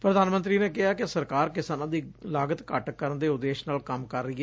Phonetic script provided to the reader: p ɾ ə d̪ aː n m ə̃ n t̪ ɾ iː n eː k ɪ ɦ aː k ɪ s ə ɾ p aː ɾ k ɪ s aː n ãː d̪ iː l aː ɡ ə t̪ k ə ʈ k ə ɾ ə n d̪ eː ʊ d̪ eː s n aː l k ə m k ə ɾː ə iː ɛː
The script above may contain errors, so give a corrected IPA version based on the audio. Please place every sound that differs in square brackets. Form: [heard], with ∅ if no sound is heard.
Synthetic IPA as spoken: p ɾ ə d̪ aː n m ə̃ n t̪ ɾ iː n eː k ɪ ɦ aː k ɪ s ə ɾ [k] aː ɾ k ɪ s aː n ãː d̪ iː l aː ɡ ə t̪ k ə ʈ k ə ɾ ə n d̪ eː ʊ d̪ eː [ʃ] n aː l k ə m k ə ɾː ə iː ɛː